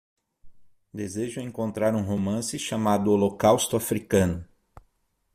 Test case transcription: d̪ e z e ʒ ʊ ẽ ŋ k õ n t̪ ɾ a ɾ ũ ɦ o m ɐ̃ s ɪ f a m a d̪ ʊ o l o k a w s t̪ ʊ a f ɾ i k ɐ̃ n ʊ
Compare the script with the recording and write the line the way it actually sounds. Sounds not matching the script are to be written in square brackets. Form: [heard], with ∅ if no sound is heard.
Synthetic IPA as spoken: d̪ e z e ʒ ʊ ẽ ŋ k õ n t̪ ɾ a ɾ ũ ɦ o m ɐ̃ s ɪ [ʃ] a m a d̪ ʊ o l o k a w s t̪ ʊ a f ɾ i k ɐ̃ n ʊ